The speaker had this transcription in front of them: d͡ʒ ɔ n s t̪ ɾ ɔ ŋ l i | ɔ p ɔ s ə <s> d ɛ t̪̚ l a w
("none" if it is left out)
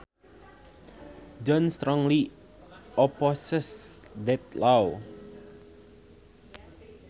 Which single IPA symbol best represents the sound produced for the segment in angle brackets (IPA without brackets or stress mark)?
s